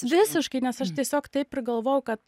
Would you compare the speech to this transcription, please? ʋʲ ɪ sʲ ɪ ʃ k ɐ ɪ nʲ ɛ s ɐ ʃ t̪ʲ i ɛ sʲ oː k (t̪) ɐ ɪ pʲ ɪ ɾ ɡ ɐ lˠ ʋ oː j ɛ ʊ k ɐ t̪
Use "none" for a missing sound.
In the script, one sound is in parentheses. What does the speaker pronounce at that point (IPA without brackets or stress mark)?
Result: t̪